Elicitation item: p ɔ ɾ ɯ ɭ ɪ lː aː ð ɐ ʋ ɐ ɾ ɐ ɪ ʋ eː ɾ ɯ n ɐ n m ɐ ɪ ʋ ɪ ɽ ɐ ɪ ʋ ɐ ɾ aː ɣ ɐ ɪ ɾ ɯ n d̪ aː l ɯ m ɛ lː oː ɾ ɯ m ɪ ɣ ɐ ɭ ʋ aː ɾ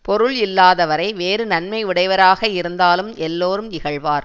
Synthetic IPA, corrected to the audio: p ɔ ɾ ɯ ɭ ɪ lː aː ð ɐ ʋ ɐ ɾ ɐ ɪ ʋ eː ɾ ɯ n ɐ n m ɐ ɪ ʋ ɪ ɽ ɐ ɪ ʋ ɐ ɾ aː ɣ ɐ ɪ ɾ ɯ n d̪ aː l ɯ m ɛ lː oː ɾ ɯ m ɪ ɣ ɐ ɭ ʋ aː ɾ